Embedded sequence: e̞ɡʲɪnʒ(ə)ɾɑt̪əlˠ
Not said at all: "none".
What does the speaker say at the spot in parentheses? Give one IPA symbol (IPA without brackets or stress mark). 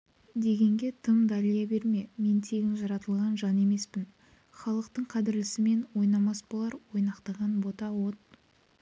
ɑ